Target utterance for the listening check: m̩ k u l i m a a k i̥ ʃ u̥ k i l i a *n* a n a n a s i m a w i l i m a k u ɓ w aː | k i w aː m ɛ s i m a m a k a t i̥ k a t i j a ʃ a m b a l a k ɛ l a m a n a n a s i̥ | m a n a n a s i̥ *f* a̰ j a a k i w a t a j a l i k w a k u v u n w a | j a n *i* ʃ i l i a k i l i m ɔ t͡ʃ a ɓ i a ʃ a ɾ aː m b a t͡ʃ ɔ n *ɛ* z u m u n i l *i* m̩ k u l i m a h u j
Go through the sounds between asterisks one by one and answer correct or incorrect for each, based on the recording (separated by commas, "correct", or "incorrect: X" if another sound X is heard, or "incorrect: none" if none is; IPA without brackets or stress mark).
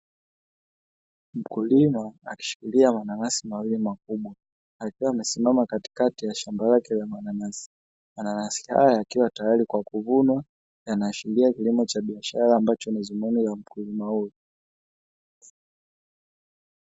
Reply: incorrect: m, incorrect: h, incorrect: a, incorrect: i, incorrect: a